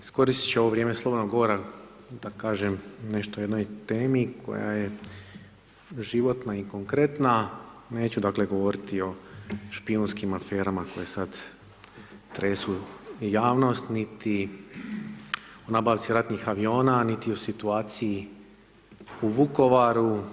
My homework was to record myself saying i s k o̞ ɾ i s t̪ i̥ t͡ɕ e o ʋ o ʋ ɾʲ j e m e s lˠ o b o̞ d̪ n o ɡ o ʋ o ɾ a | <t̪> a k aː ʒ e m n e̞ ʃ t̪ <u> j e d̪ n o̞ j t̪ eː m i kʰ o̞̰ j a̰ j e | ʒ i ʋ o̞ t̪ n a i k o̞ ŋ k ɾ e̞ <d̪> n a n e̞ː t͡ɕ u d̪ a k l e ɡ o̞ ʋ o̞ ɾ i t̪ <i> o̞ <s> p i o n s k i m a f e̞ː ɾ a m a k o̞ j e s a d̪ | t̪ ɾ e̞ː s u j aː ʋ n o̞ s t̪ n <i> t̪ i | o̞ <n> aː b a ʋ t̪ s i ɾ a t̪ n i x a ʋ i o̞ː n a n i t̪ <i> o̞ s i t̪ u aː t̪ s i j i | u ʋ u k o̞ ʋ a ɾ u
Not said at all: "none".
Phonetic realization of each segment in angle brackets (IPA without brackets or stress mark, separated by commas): d̪, o, t̪, i, ʃ, i, n, i